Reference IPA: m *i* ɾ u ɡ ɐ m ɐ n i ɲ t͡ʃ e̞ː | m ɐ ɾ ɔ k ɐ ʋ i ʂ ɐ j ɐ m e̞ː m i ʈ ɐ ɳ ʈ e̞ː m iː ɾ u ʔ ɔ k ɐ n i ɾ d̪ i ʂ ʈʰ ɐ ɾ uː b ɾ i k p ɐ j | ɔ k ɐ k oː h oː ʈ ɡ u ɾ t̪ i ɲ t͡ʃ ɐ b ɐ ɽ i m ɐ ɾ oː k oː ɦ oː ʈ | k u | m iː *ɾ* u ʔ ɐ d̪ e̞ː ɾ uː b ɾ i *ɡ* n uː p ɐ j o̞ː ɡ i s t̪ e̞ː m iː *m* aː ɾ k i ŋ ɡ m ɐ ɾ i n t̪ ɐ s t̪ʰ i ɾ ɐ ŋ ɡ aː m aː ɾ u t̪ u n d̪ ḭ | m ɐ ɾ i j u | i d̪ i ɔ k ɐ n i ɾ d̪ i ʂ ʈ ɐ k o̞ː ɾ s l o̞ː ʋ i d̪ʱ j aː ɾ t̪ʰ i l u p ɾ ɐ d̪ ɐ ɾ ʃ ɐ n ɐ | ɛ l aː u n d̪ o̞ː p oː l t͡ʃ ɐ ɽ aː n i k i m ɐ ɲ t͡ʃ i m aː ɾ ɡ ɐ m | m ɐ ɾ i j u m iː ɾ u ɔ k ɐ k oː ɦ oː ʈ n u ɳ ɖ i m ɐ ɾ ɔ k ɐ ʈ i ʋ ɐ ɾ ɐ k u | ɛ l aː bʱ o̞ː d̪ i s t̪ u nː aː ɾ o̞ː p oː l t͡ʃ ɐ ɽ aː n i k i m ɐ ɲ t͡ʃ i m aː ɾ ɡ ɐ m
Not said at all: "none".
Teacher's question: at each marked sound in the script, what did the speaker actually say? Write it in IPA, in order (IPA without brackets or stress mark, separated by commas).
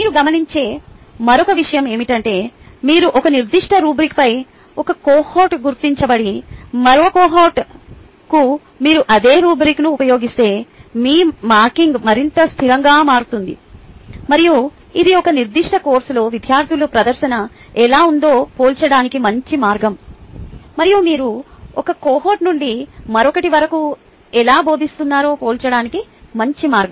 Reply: iː, ɾ, k, m